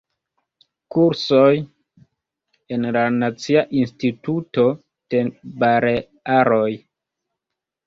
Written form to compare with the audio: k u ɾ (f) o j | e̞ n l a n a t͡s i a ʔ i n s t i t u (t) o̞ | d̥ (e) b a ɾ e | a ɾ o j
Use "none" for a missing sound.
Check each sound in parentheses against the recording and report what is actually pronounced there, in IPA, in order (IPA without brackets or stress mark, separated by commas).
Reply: s, t, e